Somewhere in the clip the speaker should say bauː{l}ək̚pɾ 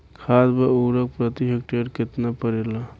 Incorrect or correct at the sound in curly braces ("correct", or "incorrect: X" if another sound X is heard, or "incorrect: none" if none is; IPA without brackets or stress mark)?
incorrect: ɾ